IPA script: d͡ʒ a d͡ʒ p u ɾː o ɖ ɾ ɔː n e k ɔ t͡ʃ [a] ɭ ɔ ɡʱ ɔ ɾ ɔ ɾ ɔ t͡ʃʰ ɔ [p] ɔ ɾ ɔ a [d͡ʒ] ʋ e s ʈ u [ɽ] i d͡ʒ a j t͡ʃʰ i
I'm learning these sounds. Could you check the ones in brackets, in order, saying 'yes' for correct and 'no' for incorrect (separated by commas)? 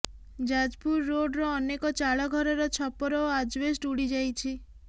yes, yes, yes, yes